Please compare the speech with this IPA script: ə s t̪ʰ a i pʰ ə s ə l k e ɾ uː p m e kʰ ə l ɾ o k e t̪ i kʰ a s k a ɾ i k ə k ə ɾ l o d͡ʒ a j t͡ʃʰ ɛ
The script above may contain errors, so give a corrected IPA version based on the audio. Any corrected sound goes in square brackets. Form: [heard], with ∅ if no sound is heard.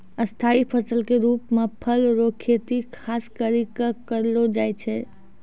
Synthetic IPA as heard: ə s t̪ʰ a i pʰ ə s ə l k e ɾ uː p m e [pʰ] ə l ɾ o [kʰ] e t̪ i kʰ a s k [ə] ɾ i k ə k ə ɾ l o d͡ʒ a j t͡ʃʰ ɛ